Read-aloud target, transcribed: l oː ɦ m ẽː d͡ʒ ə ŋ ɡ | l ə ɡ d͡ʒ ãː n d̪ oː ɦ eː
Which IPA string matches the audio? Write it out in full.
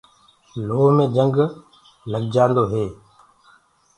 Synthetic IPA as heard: l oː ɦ m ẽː d͡ʒ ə ŋ ɡ | l ə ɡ d͡ʒ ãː n d̪ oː ɦ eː